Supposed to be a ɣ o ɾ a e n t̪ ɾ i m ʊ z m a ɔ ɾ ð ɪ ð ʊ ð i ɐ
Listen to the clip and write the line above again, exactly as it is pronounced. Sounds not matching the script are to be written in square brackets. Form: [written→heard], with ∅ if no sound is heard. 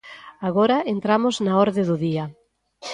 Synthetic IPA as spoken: a ɣ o ɾ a e n t̪ ɾ [i→a] m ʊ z [m→n] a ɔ ɾ ð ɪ ð ʊ ð i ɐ